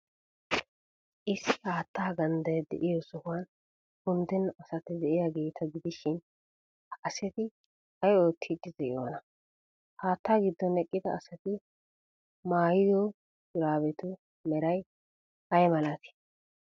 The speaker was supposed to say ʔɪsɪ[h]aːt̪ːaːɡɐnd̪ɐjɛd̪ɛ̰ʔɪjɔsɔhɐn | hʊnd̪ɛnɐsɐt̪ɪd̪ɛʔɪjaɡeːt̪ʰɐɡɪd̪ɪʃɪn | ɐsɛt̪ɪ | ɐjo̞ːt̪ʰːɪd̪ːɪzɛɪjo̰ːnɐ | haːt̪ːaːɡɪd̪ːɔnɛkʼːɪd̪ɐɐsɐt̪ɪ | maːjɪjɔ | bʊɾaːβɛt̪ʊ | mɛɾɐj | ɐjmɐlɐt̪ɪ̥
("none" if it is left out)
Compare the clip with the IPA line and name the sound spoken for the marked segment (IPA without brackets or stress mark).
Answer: h